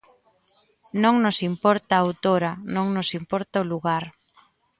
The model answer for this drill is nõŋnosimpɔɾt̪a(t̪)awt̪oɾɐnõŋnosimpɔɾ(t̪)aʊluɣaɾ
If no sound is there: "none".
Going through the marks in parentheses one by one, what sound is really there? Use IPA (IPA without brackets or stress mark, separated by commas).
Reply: none, t̪